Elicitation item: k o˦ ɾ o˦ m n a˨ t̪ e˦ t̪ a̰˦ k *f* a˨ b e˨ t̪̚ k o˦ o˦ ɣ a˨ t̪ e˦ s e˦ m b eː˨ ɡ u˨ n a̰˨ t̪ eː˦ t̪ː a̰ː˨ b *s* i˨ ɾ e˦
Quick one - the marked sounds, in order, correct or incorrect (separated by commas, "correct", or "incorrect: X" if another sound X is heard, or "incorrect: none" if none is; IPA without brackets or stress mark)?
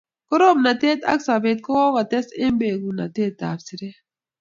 incorrect: s, correct